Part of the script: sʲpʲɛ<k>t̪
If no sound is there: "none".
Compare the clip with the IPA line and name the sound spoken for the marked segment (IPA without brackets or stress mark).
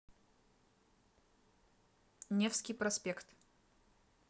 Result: k